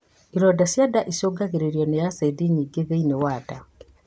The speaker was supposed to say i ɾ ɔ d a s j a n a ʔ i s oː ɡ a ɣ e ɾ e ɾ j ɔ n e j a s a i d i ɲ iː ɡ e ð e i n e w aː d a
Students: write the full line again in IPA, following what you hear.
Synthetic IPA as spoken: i ɾ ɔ d a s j a d a ʔ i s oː ɡ a ɣ e ɾ e ɾ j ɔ n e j a s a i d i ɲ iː ɡ e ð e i n e w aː d a